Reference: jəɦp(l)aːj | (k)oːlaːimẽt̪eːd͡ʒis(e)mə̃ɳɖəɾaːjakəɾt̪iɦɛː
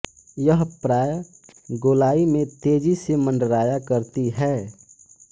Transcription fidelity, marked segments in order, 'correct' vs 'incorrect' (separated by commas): incorrect, incorrect, correct